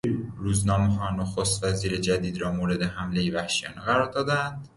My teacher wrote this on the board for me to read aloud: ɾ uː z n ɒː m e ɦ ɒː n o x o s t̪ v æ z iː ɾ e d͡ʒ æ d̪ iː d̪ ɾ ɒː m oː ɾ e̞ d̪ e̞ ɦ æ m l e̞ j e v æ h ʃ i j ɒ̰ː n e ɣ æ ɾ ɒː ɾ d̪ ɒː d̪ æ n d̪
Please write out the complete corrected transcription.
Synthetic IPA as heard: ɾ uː z n ɒː m e ɦ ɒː n o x o s t̪ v æ z iː ɾ e d͡ʒ æ d̪ iː d̪ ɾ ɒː m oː ɾ e̞ d̪ e̞ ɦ æ m l e̞ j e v æ h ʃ i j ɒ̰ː n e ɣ æ ɾ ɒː ɾ d̪ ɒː d̪ æ n d̪